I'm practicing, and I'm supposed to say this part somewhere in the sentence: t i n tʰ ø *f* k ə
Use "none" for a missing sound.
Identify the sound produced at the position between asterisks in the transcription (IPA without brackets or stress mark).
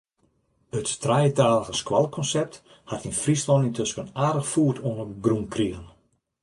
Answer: s